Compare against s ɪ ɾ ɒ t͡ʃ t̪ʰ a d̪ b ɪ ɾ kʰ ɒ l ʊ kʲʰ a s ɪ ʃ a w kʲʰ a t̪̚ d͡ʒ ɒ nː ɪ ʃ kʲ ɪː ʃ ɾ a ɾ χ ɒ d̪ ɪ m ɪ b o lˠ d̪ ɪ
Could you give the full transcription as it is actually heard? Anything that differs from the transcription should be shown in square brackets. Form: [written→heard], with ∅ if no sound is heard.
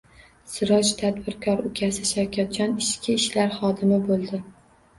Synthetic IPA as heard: s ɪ ɾ ɒ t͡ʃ t̪ʰ a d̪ b ɪ ɾ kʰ ɒ [l→ɾ] ʊ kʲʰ a s ɪ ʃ a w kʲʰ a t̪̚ d͡ʒ ɒ [nː→n] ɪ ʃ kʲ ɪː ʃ [ɾ→l] a ɾ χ ɒ d̪ ɪ m ɪ b o lˠ d̪ ɪ